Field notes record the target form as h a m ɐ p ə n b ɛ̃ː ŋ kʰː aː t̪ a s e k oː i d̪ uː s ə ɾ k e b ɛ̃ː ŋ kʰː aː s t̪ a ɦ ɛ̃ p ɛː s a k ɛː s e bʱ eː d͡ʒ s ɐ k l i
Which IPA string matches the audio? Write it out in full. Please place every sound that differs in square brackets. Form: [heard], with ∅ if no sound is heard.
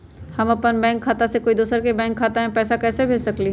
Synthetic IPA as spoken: h [ɐ] m ɐ p ə n b ɛ̃ː ŋ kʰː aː t̪ a s e k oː i d̪ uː s ə ɾ k e b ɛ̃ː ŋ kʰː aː [∅] t̪ a ɦ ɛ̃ p ɛː s a k ɛː s e bʱ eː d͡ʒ s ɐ k l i